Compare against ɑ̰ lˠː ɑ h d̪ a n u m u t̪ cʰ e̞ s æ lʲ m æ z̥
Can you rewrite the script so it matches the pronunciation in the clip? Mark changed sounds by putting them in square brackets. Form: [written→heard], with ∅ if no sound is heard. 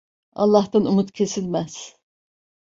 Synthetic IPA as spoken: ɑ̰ lˠː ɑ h [d̪→t̪] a n u m u t̪ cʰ e̞ s [æ→i] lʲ m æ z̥